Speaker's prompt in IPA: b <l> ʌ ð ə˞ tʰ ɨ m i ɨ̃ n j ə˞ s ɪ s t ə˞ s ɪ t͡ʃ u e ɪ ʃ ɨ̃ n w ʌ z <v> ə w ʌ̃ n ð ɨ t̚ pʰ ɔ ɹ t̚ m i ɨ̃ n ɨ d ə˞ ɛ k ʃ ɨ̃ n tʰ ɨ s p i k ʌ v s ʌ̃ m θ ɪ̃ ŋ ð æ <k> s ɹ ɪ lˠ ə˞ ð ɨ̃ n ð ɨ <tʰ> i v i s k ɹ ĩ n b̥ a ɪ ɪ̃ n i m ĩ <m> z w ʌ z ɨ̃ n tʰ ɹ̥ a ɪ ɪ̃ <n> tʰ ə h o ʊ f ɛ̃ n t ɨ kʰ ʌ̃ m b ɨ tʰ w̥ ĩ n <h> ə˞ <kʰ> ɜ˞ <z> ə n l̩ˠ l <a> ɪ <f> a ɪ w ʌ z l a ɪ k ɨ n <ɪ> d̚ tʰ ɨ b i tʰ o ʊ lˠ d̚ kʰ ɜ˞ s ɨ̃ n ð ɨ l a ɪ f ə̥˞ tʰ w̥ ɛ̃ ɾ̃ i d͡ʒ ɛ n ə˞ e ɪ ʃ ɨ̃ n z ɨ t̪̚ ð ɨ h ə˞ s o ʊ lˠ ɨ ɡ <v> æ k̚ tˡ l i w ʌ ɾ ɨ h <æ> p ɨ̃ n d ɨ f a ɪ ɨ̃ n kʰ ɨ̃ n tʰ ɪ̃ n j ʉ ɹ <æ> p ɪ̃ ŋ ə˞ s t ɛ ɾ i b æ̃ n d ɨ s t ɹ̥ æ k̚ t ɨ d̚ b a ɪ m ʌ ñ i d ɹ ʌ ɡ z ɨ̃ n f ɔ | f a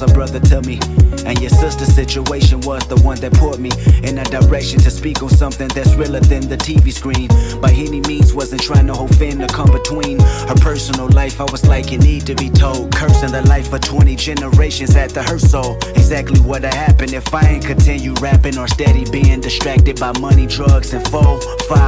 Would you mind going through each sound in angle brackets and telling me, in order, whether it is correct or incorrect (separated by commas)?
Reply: incorrect, incorrect, incorrect, correct, incorrect, incorrect, correct, incorrect, incorrect, correct, correct, incorrect, incorrect, correct, correct